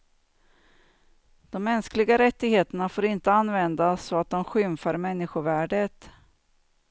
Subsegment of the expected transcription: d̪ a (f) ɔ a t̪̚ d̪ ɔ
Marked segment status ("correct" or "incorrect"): incorrect